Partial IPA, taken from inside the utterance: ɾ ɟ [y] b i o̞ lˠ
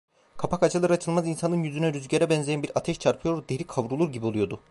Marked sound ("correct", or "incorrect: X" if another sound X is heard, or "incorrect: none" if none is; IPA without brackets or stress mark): incorrect: i